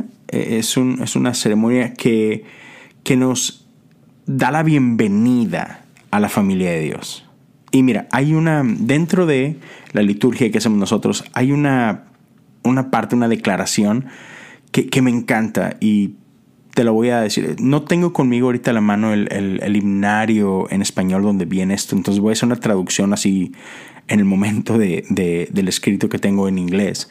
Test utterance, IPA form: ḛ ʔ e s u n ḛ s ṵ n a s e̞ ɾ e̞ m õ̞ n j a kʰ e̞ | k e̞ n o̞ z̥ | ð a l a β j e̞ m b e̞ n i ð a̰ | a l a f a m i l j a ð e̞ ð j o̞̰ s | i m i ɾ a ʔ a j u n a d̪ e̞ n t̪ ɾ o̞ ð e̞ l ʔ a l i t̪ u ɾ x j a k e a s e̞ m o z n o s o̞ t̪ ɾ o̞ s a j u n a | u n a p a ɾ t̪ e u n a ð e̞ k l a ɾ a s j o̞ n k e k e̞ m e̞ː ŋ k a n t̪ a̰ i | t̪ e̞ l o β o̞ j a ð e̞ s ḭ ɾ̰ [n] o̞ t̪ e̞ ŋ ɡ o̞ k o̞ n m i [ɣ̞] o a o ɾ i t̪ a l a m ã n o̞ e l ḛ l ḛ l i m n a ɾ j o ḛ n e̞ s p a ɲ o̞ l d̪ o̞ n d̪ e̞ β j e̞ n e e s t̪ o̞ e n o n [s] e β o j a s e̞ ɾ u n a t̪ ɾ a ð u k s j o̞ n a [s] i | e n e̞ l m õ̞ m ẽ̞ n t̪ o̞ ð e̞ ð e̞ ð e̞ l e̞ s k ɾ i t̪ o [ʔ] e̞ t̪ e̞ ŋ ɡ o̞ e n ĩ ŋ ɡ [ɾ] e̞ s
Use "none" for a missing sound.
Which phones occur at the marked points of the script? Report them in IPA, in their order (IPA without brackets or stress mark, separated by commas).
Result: n, ɣ̞, s, s, k, l